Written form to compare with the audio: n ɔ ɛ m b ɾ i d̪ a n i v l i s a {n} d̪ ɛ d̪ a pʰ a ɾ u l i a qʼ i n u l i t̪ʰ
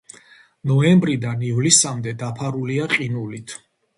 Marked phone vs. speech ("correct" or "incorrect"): incorrect